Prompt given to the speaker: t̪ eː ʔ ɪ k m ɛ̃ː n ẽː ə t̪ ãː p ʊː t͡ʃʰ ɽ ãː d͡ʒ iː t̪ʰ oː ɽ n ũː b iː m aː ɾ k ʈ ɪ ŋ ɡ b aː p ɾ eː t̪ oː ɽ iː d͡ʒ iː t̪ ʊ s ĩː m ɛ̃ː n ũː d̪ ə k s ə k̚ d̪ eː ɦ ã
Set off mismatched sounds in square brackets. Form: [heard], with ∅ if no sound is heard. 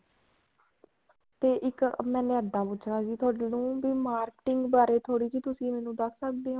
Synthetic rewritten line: t̪ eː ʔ ɪ k m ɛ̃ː n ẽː ə [d̪] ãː p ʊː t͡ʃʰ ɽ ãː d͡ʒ iː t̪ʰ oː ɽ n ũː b iː m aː ɾ k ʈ ɪ ŋ ɡ b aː [∅] ɾ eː [t̪ʰ] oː ɽ iː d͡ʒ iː t̪ ʊ s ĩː m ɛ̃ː n ũː d̪ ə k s ə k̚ d̪ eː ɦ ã